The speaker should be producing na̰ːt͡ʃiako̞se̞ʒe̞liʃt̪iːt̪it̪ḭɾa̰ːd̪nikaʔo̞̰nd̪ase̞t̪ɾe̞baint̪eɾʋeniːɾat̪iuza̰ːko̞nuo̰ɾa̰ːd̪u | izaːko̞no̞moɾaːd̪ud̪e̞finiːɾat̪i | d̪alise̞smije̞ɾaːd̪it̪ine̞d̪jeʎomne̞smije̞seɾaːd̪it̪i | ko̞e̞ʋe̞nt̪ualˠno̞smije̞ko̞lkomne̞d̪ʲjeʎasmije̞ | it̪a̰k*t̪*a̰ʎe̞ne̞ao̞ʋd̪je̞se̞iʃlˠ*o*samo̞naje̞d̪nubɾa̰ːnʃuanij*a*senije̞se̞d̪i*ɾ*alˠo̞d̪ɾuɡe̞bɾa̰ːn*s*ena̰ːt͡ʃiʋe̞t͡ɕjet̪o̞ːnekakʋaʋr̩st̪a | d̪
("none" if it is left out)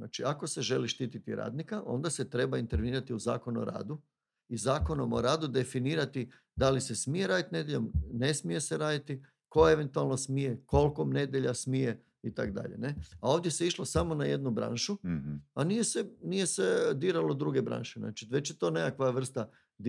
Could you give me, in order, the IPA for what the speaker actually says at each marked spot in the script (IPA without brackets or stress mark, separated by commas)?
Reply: d̪, o, e, ɾ, ʃ